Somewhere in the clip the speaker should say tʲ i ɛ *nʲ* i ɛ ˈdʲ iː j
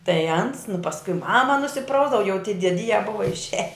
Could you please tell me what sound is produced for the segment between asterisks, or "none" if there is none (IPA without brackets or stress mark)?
dʲ